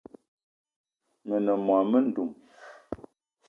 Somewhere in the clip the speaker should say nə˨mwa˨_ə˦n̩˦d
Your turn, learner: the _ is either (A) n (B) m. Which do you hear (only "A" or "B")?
B